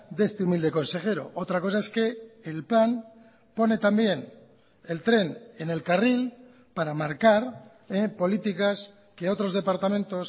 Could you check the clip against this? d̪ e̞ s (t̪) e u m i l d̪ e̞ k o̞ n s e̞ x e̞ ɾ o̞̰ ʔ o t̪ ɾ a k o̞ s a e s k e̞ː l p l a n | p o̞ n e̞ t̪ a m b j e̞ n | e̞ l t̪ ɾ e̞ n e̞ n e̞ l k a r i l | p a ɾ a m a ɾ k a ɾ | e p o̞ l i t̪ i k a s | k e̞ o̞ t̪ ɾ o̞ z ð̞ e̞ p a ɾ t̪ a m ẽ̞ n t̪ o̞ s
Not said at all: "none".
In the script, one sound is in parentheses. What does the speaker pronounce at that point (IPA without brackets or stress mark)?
t̪